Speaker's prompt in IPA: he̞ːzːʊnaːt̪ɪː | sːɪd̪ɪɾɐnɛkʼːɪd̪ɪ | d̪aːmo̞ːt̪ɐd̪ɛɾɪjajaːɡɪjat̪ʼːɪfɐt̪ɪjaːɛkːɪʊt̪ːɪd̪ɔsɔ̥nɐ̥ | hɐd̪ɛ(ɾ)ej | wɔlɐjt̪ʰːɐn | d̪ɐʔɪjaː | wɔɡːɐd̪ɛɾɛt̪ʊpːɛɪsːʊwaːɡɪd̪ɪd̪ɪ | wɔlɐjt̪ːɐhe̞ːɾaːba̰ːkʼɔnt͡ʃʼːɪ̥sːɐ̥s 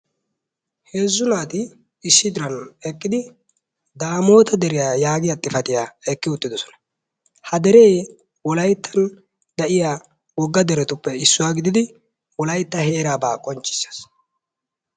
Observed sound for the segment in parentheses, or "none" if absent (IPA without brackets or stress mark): ɾ